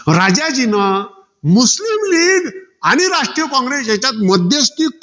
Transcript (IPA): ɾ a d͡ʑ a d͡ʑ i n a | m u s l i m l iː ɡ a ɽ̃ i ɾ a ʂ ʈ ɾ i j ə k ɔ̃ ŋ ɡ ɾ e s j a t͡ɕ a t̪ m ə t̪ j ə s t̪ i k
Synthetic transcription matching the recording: ɾ a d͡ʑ a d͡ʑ i n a | m u s l i m l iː ɡ a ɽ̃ i ɾ a ʂ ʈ ɾ i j ə k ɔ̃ ŋ ɡ ɾ e s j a t͡ɕ a t̪ m ə d̪ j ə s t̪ i k

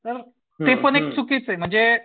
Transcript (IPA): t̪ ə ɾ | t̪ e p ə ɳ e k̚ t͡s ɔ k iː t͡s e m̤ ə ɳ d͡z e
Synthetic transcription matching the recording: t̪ ə ɾ | t̪ e p ə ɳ e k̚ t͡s u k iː t͡s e m̤ ə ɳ d͡z e

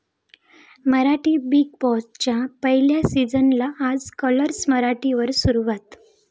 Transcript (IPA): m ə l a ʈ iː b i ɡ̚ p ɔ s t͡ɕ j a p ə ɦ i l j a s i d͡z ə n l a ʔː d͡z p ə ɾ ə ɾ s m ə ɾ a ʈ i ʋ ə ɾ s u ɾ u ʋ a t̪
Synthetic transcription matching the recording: m ə ɾ a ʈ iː b i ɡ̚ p ɔ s t͡ɕ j a p ə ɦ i l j a s i d͡z ə n l a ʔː d͡z k ə l ə ɾ s m ə ɾ a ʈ i ʋ ə ɾ s u ɾ u ʋ a t̪

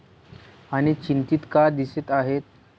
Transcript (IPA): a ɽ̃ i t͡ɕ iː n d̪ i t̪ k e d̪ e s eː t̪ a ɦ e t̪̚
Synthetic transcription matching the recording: a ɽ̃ i t͡ɕ i n t̪ i t̪ k a d̪ i s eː t̪ a ɦ e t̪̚

